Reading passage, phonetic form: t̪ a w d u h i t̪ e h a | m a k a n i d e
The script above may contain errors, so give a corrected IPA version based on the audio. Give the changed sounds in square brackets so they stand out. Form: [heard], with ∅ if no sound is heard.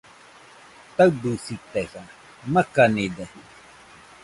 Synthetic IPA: t̪ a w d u [s] i t̪ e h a | m a k a n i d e